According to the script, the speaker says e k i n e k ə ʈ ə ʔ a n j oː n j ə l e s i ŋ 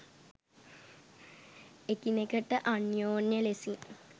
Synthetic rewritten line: e k i n e k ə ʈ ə ʔ a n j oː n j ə l e s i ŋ